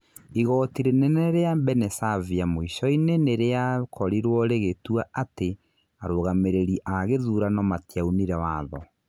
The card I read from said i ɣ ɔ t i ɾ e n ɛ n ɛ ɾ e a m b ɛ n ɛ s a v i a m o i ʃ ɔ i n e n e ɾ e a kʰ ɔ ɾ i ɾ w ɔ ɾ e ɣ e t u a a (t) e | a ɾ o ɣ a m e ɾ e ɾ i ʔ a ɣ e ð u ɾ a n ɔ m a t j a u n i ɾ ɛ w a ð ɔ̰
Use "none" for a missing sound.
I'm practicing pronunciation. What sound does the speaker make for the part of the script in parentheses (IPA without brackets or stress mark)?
t